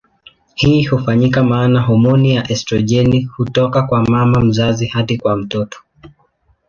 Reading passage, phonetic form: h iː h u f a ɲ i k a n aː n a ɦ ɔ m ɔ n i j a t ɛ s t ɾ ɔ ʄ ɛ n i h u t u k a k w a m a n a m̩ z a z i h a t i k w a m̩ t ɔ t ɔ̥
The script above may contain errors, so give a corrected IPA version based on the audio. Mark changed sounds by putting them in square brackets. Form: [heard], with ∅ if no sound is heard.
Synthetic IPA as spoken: h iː h u f a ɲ i k a [m] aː n a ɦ ɔ m ɔ n i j a [ʔ] ɛ s t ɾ ɔ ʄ ɛ n i h u t [ɔ] k a k w a m a [m] a m̩ z a z i h a t i k w a m̩ t ɔ t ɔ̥